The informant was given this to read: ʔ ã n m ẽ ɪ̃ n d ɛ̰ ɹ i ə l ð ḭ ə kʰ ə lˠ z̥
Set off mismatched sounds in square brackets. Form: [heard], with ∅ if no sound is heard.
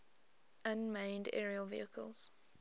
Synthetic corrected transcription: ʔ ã n m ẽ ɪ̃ n d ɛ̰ ɹ i ə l [v] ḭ ə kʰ ə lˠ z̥